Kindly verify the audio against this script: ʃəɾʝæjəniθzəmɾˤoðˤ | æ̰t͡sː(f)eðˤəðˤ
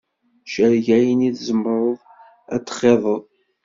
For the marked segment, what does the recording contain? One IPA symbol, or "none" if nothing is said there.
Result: χ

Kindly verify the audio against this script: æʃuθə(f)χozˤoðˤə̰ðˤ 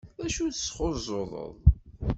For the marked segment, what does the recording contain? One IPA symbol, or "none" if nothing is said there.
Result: s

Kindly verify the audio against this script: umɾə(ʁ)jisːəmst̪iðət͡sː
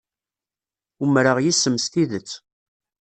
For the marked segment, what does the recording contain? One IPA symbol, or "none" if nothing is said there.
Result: ʁ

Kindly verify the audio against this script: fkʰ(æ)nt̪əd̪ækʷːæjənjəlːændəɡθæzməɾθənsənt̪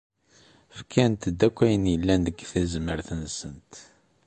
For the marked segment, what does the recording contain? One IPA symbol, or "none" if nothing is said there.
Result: æ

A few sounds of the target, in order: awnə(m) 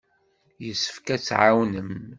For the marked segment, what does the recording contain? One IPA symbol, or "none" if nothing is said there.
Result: m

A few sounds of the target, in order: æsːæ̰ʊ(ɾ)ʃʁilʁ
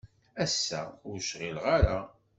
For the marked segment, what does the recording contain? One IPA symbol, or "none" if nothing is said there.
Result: ɾ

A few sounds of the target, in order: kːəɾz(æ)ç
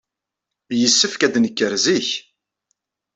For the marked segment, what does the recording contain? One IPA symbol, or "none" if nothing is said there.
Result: i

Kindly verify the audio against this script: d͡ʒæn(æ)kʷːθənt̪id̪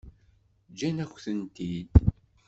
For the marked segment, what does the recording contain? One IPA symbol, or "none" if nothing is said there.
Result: æ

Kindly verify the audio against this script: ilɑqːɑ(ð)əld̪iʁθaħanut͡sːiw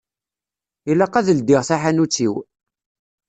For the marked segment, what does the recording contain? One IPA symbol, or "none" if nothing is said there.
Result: ð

